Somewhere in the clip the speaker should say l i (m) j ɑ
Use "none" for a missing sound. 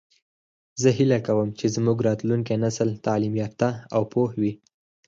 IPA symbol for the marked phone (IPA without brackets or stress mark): m